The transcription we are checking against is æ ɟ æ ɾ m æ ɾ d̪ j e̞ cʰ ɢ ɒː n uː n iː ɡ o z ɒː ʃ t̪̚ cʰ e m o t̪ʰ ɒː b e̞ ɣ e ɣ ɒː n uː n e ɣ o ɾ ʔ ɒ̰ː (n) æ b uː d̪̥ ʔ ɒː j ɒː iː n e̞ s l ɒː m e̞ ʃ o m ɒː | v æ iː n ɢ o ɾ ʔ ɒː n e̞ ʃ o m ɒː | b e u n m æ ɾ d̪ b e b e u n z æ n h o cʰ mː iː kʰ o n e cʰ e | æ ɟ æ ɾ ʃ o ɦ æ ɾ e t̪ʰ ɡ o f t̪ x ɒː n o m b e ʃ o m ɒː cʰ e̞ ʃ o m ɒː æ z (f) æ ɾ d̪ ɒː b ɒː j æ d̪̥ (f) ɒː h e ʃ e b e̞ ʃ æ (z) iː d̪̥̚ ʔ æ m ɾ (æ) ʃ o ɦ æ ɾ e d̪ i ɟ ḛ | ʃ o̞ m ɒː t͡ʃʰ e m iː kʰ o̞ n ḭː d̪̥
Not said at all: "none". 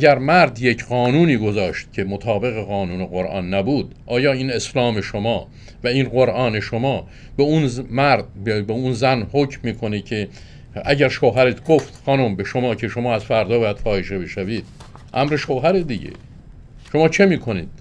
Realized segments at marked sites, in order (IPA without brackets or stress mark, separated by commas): nː, f, f, v, e